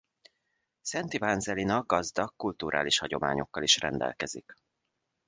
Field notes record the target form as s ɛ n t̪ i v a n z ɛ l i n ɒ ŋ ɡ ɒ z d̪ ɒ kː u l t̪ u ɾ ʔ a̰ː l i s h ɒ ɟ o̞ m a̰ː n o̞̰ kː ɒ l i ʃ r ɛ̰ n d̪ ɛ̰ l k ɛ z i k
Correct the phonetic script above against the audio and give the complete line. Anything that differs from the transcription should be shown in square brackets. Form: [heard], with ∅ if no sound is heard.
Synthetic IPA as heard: s ɛ n t̪ i v a n z ɛ l i n ɒ [ɡ] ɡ ɒ z d̪ ɒ kː u l t̪ u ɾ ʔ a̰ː l i [ʃ] h ɒ ɟ o̞ m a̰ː [ɲ] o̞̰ kː ɒ l i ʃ r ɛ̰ n d̪ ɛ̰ l k ɛ z i k